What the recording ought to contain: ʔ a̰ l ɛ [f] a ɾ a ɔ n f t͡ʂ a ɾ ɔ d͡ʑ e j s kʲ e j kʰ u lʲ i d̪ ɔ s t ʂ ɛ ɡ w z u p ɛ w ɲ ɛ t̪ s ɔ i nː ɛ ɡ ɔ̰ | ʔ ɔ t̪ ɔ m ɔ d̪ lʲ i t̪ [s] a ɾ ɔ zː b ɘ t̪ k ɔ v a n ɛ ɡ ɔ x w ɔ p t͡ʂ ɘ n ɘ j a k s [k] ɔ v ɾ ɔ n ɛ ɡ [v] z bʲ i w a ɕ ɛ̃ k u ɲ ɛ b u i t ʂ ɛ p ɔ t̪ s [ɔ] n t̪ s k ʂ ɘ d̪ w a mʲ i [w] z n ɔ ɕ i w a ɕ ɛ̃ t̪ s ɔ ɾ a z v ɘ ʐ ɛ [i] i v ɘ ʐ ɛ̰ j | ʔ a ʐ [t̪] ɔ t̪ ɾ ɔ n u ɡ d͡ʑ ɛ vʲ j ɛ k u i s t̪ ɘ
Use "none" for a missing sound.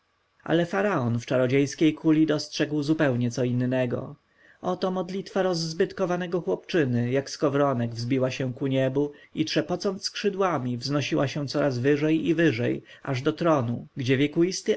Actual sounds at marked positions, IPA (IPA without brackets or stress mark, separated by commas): f, f, k, v, ɔ, v, j, d̪